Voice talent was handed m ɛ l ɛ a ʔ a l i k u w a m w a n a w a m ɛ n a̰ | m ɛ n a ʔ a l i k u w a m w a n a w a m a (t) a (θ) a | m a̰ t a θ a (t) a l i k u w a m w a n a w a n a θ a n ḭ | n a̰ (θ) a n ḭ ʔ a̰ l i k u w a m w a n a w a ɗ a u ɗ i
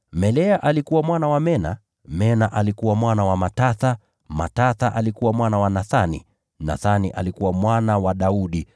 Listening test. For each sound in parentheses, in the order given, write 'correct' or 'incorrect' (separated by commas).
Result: correct, correct, incorrect, correct